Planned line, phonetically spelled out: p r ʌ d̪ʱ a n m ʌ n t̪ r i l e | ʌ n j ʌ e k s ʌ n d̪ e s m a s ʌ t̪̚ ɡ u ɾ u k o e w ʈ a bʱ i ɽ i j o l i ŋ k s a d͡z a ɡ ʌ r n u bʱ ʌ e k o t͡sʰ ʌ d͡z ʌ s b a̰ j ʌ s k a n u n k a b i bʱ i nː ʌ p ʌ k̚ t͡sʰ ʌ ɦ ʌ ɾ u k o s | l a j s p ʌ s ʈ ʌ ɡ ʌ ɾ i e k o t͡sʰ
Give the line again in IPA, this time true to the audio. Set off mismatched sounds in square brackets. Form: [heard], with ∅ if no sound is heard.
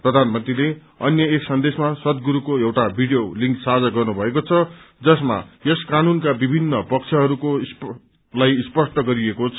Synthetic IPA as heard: p r ʌ d̪ʱ a n m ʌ n t̪ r i l e | ʌ n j ʌ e k s ʌ n d̪ e s m a s ʌ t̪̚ ɡ u ɾ u k o e w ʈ a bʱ i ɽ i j o l i ŋ k s a d͡z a ɡ ʌ r n u bʱ ʌ e k o t͡sʰ ʌ d͡z ʌ s [m] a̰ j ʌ s k a n u n k a b i bʱ i nː ʌ p ʌ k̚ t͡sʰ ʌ ɦ ʌ ɾ u k o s | l a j s p ʌ s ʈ ʌ ɡ ʌ ɾ i e k o t͡sʰ

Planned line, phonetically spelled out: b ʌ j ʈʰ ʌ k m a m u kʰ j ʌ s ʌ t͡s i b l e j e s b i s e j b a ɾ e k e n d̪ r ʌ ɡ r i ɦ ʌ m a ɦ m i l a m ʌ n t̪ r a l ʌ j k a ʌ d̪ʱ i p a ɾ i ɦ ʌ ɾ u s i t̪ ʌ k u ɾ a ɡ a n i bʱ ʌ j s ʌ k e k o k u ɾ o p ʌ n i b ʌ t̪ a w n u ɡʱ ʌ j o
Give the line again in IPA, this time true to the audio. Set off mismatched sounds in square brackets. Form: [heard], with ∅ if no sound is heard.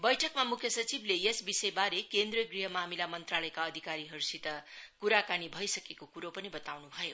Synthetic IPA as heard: b ʌ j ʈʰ ʌ k m a m u kʰ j ʌ s ʌ t͡s i b l e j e s b i s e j b a ɾ e k e n d̪ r ʌ ɡ r i ɦ ʌ m a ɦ m i l a m ʌ n t̪ r a l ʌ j k a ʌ d̪ʱ i [k] a ɾ i ɦ ʌ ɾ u s i t̪ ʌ k u ɾ a [k] a n i bʱ ʌ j s ʌ k e k o k u ɾ o p ʌ n i b ʌ t̪ a w n u [bʱ] ʌ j o

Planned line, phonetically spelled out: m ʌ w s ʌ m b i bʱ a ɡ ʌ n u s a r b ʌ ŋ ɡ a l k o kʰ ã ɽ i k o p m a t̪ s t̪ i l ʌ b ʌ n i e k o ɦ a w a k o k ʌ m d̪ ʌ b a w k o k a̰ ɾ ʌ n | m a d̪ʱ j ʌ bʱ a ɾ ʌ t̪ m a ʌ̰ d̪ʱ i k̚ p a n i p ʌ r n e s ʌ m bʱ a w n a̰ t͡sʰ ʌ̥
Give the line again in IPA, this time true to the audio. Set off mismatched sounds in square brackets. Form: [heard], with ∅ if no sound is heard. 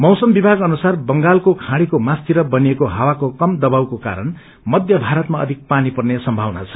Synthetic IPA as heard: m ʌ w s ʌ m b i bʱ a ɡ ʌ n u s a r b ʌ ŋ ɡ a l k o kʰ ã ɽ i k o [∅] m a [∅] s t̪ i [ɾ] ʌ b ʌ n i e k o ɦ a w a k o k ʌ m d̪ ʌ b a w k o k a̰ ɾ ʌ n | m [ʌ] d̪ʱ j ʌ bʱ a ɾ ʌ t̪ m a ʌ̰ d̪ʱ i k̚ p a n i p ʌ r n e s ʌ m bʱ a w n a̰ t͡sʰ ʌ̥

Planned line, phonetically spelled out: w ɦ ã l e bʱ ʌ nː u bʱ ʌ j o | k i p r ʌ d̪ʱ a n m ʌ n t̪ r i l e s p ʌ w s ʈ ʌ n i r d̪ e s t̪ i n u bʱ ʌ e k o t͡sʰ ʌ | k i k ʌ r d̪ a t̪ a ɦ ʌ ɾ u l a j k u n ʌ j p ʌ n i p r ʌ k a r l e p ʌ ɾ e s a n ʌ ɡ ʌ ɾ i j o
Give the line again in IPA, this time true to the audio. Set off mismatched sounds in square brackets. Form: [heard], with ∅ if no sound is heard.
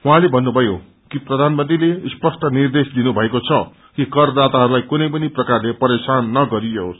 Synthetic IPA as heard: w ɦ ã l e bʱ ʌ nː u bʱ ʌ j o | k i p r ʌ d̪ʱ a n m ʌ n t̪ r i l e s p ʌ [∅] s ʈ ʌ n i r d̪ e s [d̪] i n u bʱ ʌ e k o t͡sʰ ʌ | k i k ʌ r d̪ a t̪ a ɦ ʌ ɾ u l a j k u n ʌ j p ʌ n i p r ʌ k a r l e p ʌ ɾ e s a [nː] ʌ ɡ ʌ ɾ i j o

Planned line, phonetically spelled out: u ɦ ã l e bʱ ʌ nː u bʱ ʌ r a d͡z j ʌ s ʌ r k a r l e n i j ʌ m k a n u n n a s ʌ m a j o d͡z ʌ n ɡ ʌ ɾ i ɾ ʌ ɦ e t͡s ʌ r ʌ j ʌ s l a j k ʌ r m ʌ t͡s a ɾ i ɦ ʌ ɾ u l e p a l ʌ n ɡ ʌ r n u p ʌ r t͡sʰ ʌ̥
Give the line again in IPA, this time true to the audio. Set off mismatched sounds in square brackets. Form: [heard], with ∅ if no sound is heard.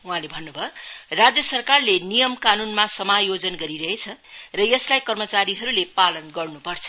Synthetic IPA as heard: u ɦ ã l e bʱ ʌ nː u bʱ ʌ r a d͡z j ʌ s ʌ r k a r l e n i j ʌ m k a n u n [m] a s ʌ m a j o d͡z ʌ n ɡ ʌ ɾ i ɾ ʌ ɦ e [t͡sʰ] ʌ r ʌ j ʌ s l a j k ʌ r m ʌ t͡s a ɾ i ɦ ʌ ɾ u l e p a l ʌ n ɡ ʌ r n u p ʌ r t͡sʰ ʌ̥

